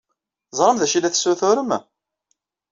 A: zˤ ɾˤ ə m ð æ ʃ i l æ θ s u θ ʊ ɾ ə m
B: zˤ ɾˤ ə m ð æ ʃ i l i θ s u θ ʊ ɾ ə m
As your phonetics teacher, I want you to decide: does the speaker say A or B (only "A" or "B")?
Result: A